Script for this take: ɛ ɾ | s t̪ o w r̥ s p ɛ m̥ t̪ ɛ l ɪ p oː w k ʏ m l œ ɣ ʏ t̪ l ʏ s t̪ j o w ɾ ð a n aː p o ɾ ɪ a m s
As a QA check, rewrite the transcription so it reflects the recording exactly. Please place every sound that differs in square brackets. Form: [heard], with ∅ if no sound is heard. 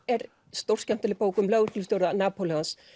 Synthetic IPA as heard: ɛ ɾ | s t̪ o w r̥ s [c] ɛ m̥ t̪ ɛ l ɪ p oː w k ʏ m l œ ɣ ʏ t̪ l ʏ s t̪ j o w ɾ ð a n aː p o [l] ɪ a [n] s